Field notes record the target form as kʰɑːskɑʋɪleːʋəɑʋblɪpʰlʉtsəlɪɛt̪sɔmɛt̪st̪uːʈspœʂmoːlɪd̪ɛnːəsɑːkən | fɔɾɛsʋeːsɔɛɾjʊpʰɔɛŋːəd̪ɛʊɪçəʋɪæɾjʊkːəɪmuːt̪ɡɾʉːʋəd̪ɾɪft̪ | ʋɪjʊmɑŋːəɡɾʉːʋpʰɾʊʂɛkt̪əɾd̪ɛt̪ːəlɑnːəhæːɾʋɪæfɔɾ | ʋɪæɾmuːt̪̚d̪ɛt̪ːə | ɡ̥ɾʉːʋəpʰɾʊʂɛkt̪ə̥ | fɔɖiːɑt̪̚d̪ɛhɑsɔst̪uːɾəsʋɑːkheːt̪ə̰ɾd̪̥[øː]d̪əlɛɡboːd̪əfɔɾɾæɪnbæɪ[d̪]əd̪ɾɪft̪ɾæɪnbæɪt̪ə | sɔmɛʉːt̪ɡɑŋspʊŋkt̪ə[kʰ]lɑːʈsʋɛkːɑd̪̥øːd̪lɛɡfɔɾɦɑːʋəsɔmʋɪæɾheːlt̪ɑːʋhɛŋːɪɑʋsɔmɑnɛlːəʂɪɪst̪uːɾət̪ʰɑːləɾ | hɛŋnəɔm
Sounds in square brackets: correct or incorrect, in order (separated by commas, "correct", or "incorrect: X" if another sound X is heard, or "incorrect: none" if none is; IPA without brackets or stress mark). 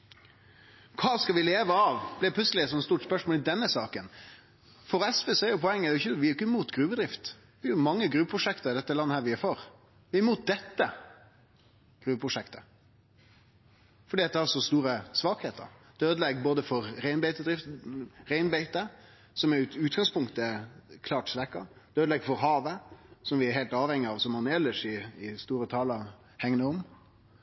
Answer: correct, incorrect: t̪, correct